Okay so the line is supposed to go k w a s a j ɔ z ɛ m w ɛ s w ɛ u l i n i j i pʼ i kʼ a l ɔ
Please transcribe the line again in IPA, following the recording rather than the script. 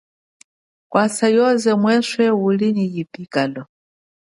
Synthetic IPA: k w a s a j ɔ z ɛ m w ɛ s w ɛ u l i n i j i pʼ i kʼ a l ɔ